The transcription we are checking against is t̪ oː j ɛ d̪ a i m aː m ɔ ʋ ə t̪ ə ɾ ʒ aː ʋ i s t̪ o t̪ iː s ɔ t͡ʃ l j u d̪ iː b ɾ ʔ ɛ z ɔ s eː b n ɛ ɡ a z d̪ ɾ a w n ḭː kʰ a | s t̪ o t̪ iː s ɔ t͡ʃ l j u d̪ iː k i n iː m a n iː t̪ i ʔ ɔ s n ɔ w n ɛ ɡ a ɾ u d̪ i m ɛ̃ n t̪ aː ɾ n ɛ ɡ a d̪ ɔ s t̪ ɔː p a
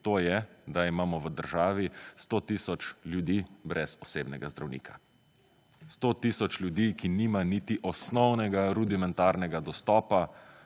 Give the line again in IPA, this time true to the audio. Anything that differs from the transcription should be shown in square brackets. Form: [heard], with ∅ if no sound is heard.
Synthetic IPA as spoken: t̪ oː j ɛ d̪ a i m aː m ɔ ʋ ə [d̪] ə ɾ ʒ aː ʋ i s t̪ o t̪ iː s ɔ t͡ʃ l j u d̪ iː b ɾ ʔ ɛ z ɔ s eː b n ɛ ɡ a z d̪ ɾ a w n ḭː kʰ a | s t̪ o t̪ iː s ɔ t͡ʃ l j u d̪ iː k i n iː m a n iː t̪ i ʔ ɔ s n ɔ w n ɛ ɡ a ɾ u d̪ i m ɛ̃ n t̪ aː ɾ n ɛ ɡ a d̪ ɔ s t̪ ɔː p a